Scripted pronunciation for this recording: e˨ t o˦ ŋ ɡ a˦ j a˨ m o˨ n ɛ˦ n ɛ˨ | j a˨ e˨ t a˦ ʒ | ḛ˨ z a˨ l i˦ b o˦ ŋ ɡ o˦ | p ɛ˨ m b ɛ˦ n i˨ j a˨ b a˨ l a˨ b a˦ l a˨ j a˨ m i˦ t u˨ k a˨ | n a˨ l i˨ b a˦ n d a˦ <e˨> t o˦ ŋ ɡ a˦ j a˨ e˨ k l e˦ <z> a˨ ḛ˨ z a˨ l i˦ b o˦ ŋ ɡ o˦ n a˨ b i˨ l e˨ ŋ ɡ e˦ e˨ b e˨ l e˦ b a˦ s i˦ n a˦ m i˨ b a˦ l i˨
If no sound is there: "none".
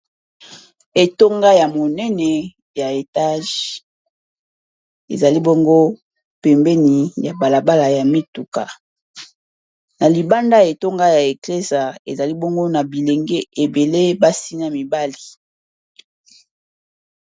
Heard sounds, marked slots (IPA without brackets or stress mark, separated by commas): e˨, z